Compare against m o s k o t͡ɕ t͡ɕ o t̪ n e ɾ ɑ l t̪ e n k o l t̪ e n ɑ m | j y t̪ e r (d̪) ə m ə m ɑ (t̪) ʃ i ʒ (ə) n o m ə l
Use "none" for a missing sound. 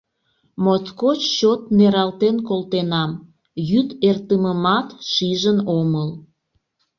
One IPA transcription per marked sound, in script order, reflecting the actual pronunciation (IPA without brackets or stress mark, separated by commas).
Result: t̪, t̪, ə